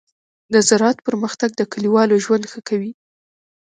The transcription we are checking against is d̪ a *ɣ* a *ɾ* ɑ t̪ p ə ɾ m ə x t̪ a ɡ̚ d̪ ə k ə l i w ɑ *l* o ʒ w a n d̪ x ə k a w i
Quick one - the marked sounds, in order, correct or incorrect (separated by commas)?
incorrect, correct, correct